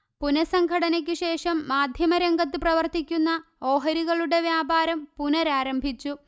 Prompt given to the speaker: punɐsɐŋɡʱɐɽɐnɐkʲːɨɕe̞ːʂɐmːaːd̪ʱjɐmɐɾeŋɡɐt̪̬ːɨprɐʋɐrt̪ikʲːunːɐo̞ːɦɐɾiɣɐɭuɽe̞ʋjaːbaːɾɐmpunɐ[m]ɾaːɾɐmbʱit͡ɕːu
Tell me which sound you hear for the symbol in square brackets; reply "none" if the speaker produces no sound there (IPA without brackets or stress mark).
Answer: none